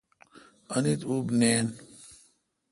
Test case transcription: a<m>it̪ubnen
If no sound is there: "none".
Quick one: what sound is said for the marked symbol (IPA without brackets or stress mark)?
n